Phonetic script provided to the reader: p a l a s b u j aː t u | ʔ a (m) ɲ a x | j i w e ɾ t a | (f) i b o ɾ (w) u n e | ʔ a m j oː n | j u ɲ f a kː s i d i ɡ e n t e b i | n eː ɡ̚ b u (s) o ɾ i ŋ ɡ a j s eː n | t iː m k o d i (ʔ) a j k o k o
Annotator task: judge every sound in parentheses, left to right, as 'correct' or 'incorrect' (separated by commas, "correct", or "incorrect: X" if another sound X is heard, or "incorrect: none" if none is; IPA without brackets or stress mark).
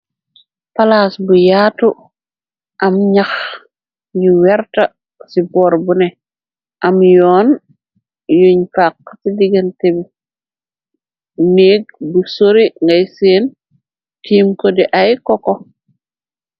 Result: correct, incorrect: s, incorrect: b, correct, correct